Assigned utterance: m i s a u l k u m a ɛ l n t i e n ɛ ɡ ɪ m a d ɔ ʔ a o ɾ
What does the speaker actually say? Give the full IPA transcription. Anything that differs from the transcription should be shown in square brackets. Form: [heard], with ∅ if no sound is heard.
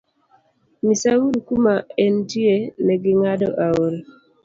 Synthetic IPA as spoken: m i s a u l k u m a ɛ [∅] n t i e n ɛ ɡ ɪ [ŋ] a d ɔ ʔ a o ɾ